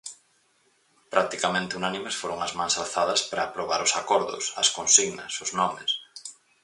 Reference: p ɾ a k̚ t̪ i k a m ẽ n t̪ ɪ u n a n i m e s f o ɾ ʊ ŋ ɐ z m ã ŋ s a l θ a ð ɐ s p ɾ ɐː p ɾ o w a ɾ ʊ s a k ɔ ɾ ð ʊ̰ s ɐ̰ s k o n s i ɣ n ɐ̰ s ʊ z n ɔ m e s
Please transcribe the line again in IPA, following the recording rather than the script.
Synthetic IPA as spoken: p ɾ a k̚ t̪ i k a m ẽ n t̪ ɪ u n a n i m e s f o ɾ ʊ ŋ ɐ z m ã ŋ s a l θ a ð ɐ s p ɾ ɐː p ɾ o β a ɾ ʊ s a k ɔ ɾ ð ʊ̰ s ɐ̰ s k o n s i ɣ n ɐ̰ s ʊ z n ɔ m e s